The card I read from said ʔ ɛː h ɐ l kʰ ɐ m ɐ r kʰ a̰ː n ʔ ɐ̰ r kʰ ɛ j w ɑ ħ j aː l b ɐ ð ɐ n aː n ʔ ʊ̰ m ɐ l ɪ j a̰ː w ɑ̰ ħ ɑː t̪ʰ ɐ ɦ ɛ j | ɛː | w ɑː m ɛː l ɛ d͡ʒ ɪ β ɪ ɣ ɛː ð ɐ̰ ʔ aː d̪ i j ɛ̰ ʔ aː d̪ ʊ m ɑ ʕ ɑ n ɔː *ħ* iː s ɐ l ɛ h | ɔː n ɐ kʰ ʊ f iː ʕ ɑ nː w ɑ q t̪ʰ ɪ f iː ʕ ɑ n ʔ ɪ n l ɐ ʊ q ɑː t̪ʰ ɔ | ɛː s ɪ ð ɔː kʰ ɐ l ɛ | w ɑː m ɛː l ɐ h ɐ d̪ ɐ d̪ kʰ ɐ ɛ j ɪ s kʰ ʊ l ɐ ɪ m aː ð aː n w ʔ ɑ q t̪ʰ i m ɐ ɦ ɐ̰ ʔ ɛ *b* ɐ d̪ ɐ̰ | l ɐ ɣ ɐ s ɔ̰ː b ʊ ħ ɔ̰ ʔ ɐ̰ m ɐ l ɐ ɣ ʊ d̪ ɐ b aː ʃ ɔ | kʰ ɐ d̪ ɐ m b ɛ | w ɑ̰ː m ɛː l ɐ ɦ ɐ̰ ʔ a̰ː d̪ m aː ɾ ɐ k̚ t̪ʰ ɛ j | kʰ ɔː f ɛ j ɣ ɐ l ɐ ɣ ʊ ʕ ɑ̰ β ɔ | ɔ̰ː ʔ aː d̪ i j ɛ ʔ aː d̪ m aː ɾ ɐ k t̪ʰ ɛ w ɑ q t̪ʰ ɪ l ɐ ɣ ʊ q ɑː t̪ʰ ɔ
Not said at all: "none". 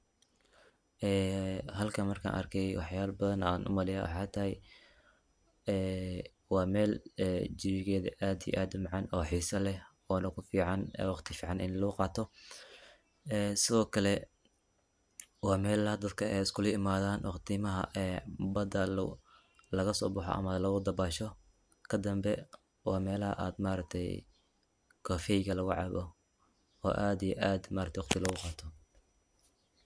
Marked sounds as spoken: ħ, b

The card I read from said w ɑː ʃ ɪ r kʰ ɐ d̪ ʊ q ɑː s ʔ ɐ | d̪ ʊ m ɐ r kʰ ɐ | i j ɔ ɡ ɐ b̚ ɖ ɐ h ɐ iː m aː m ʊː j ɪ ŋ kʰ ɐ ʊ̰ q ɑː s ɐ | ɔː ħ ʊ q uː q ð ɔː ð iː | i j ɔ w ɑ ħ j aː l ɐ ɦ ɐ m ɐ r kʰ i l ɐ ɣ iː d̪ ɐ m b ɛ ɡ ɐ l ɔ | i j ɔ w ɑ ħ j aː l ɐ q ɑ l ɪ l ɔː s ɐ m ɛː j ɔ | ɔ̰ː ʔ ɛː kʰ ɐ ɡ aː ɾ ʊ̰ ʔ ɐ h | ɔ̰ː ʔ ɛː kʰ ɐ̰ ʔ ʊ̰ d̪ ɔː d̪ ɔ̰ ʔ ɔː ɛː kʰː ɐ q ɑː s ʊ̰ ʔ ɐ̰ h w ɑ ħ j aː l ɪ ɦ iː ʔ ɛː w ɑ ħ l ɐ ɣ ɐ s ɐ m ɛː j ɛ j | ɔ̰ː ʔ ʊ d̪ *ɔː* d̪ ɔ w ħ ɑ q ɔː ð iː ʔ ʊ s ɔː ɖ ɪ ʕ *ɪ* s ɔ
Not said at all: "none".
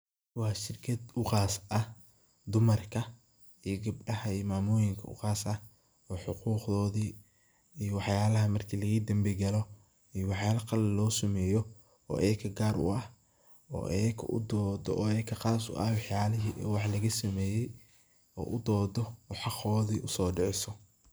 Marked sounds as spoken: ɔː, ɪ

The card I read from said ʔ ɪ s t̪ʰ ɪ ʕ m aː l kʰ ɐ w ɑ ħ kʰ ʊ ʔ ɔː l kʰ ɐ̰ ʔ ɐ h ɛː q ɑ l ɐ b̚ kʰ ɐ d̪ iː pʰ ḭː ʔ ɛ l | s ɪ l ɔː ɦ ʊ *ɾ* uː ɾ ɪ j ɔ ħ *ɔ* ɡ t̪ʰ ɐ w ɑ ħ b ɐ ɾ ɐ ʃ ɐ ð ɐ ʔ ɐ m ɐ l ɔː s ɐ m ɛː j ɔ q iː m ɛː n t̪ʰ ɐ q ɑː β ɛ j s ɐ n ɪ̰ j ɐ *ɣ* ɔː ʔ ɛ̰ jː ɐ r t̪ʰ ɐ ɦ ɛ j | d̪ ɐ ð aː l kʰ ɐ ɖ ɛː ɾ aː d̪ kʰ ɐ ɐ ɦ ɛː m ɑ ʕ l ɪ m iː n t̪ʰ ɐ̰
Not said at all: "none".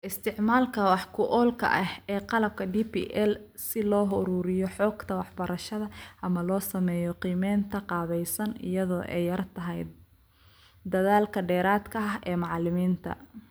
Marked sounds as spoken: ɾ, ɔː, ð

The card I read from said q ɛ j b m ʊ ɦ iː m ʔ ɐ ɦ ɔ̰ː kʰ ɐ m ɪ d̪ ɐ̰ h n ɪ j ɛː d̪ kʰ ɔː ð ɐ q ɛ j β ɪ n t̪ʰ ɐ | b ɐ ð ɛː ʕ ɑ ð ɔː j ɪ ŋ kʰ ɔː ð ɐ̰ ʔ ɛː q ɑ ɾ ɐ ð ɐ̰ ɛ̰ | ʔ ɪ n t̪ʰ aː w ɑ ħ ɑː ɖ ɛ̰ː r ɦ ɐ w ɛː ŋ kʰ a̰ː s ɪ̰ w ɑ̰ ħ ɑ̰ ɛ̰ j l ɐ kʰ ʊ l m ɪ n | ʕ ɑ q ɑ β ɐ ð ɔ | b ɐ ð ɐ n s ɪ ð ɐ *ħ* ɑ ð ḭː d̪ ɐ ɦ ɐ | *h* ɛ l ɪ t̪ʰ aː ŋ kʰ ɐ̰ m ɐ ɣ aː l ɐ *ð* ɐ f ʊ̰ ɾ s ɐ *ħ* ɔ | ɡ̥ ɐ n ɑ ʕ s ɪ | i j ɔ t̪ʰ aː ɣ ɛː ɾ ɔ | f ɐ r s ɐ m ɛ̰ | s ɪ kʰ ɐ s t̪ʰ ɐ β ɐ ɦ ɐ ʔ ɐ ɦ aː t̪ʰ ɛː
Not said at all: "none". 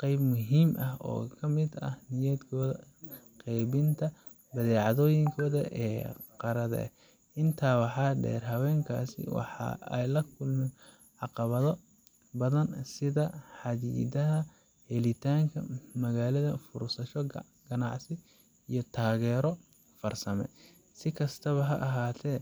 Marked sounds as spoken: ħ, h, ð, ʃ

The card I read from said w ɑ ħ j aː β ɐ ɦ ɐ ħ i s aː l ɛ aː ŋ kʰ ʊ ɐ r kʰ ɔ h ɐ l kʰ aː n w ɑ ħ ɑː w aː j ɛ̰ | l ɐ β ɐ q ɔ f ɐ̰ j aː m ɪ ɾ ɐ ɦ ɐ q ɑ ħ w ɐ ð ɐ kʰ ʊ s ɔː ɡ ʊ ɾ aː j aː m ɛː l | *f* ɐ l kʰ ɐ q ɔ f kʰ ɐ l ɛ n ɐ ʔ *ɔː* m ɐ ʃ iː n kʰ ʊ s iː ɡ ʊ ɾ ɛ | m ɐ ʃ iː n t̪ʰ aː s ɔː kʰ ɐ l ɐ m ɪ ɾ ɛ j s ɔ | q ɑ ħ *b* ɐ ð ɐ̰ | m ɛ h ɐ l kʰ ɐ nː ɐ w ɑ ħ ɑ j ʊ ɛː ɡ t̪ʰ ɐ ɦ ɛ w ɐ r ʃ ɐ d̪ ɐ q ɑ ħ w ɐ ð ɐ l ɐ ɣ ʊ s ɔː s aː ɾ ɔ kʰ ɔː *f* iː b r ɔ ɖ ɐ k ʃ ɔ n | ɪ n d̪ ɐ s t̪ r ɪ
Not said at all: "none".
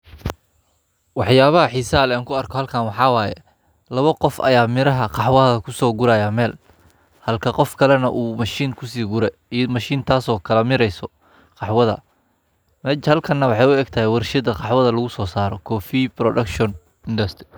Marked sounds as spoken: h, uː, w, f

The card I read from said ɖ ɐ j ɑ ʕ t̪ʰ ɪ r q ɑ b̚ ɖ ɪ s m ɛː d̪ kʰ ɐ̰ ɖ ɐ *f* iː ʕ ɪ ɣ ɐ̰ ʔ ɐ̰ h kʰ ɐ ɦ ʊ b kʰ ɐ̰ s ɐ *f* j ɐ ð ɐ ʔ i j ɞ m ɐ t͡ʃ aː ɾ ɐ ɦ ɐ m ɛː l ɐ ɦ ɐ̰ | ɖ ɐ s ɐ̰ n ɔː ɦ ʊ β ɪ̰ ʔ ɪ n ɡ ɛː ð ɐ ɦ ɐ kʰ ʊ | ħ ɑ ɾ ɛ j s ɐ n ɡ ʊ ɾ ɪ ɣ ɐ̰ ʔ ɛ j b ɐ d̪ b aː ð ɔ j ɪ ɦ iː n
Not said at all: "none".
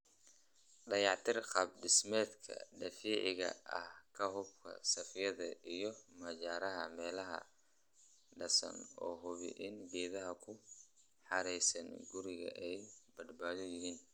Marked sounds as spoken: f, f

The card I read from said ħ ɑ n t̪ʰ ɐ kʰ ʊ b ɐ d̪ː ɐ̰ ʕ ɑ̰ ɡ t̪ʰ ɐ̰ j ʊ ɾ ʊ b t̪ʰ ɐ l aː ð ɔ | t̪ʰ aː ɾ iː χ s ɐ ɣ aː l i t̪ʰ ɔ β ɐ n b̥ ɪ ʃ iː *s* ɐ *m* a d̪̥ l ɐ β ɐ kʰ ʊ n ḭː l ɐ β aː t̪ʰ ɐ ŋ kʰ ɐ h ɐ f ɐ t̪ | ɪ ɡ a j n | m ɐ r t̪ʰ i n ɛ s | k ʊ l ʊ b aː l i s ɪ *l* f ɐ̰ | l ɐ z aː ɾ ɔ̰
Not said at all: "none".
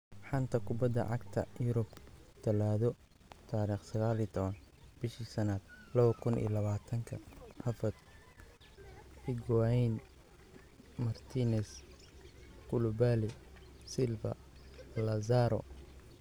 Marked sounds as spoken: s, n, l

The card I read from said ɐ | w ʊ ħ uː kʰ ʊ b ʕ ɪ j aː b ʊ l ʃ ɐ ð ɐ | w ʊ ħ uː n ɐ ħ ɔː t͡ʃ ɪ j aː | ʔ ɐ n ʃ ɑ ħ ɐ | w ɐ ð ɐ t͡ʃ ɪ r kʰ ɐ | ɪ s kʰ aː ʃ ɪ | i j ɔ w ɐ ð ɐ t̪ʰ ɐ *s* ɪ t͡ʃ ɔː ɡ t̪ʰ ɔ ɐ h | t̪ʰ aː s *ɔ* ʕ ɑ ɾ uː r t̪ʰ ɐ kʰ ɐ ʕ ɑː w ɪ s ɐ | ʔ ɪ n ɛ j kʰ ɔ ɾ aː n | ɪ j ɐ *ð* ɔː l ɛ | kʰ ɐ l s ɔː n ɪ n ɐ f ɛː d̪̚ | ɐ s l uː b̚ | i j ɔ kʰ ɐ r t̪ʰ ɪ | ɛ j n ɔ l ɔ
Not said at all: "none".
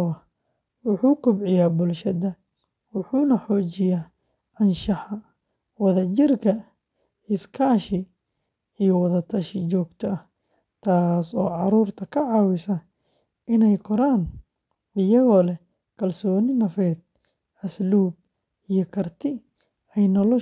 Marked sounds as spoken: ʃ, ɔː, ɣ

